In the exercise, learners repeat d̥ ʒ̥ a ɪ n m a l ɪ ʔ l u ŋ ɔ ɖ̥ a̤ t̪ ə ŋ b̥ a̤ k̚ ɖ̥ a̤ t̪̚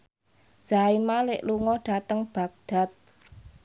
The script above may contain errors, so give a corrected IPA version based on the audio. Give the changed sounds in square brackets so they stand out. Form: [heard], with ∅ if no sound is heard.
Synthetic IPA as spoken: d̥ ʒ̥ a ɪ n m a l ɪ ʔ l u ŋ ɔ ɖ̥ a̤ t̪ ə ŋ b̥ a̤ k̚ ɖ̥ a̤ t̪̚